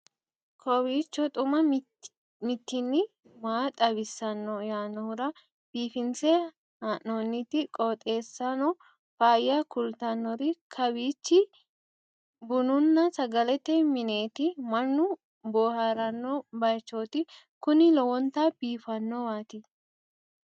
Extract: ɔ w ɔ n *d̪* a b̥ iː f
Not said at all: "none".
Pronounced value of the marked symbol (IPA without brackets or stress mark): t̪